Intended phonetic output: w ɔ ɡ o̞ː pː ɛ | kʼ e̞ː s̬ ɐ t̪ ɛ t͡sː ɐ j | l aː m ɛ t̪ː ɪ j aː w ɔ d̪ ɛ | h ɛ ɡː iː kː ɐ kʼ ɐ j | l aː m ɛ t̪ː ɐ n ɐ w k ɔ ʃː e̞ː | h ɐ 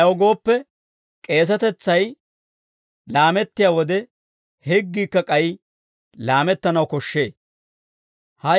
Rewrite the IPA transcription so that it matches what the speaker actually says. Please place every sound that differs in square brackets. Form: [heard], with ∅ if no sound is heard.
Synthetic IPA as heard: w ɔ ɡ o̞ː pː ɛ | kʼ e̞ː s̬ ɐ t̪ ɛ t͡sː ɐ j | l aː m ɛ t̪ː ɪ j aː w ɔ d̪ ɛ | h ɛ ɡː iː kː ɐ kʼ ɐ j | l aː m ɛ t̪ː ɐ n ɐ w k ɔ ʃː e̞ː | h ɐ